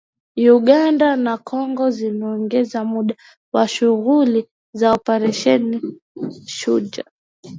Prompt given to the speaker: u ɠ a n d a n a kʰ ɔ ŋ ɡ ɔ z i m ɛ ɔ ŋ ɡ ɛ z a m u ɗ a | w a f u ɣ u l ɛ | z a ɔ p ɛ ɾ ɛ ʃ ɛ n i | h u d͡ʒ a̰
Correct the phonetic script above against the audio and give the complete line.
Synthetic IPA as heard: u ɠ a n d a n a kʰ ɔ ŋ ɡ ɔ z i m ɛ ɔ ŋ ɡ ɛ z a m u ɗ a | w a ʃ u ɣ u l i | z a ɔ p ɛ ɾ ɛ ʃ ɛ n i | ʃ u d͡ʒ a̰

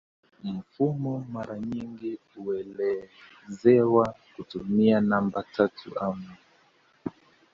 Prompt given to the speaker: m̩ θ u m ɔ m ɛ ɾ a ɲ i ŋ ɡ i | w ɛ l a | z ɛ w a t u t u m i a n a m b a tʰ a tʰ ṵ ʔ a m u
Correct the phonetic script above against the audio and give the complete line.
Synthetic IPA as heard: m̩ f u m ɔ m a ɾ a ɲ i ŋ ɡ i | u ɛ l ɛ | z ɛ w a k u t u m i a n a m b a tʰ a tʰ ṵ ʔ a m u

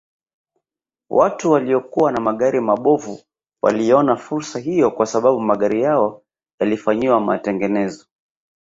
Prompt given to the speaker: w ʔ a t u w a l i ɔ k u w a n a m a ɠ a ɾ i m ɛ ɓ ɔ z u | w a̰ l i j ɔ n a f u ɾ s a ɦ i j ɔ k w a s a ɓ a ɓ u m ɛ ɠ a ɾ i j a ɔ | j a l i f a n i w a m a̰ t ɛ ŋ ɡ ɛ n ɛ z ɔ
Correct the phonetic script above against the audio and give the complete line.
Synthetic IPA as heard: w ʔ a t u w a l i ɔ k u w a n a m a ɠ a ɾ i m a ɓ ɔ v u | w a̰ l i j ɔ n a f u ɾ s a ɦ i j ɔ k w a s a ɓ a ɓ u m a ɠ a ɾ i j a ɔ | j a l i f a ɲ i w a m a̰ t ɛ ŋ ɡ ɛ n ɛ z ɔ

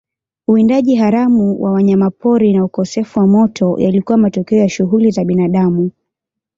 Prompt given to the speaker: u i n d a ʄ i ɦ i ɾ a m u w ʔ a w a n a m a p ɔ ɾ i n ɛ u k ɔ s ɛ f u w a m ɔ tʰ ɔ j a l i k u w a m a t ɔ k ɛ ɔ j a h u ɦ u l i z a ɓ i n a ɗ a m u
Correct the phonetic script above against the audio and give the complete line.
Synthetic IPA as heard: u i n d a ʄ i ɦ a ɾ a m u w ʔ a w a ɲ a m a p ɔ ɾ i n a u k ɔ s ɛ f u w a m ɔ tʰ ɔ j a l i k u w a m a t ɔ k ɛ ɔ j a ʃ u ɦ u l i z a ɓ i n a ɗ a m u

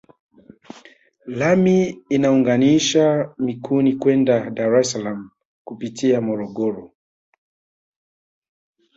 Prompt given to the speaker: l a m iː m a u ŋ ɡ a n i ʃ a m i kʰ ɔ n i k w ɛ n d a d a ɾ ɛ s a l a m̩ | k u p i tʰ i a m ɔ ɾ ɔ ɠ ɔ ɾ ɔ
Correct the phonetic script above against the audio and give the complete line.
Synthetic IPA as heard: l a m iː n a u ŋ ɡ a n i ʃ a m i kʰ u n i k w ɛ n d a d a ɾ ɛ s a l a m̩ | k u p i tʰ i a m ɔ ɾ ɔ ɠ ɔ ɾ ɔ

